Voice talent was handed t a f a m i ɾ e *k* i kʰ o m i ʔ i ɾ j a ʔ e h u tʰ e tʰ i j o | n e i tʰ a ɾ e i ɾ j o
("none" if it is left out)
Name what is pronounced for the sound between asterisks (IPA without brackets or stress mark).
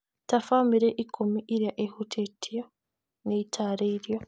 ʔ